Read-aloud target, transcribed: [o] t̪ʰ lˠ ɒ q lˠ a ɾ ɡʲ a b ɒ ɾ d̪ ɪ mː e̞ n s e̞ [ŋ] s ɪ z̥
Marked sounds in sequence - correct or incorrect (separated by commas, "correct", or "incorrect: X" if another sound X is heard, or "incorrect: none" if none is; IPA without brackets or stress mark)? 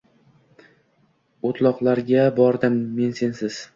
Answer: correct, incorrect: n